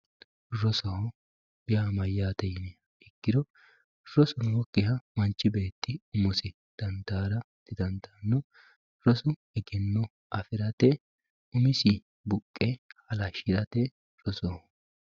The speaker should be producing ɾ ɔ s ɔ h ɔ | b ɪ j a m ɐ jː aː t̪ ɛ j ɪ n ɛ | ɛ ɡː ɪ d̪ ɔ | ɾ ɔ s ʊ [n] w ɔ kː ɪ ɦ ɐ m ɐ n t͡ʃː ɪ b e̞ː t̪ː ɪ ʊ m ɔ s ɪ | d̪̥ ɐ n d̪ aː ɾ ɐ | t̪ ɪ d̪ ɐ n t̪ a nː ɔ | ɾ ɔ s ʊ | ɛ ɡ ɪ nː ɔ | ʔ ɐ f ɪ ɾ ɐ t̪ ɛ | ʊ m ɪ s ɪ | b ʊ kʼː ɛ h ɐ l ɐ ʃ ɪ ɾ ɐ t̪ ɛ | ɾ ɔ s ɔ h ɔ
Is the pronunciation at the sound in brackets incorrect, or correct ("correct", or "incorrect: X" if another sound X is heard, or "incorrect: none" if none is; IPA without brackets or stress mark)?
correct